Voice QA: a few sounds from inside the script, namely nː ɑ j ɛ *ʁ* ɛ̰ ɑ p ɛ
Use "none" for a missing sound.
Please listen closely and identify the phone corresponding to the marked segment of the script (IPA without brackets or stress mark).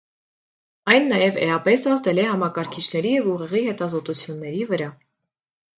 v